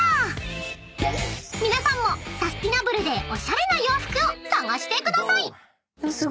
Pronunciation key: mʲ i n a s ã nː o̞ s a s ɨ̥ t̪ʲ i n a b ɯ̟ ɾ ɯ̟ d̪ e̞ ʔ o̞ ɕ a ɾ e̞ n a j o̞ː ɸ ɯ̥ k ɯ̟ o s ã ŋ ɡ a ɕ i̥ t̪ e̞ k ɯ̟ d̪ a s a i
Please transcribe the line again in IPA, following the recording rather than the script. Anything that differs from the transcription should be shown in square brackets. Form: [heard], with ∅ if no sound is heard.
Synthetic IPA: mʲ i n a s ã [mː] o̞ s a s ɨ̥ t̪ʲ i n a b ɯ̟ ɾ ɯ̟ d̪ e̞ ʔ o̞ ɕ a ɾ e̞ n a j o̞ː ɸ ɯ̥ k ɯ̟ o s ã ŋ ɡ a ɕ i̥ t̪ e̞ k ɯ̟ d̪ a s a i